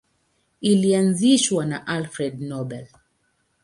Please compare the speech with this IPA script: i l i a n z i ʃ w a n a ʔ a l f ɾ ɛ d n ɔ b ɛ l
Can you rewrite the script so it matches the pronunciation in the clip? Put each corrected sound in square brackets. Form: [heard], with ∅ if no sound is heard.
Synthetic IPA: i l i a n z i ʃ w a n a ʔ a l f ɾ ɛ d n ɔ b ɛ l